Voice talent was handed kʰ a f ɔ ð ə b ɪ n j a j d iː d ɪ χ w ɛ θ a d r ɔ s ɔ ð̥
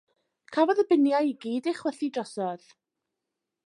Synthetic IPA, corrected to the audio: kʰ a v ɔ ð ə b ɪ n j a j ɡ iː d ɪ χ w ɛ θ i d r ɔ s ɔ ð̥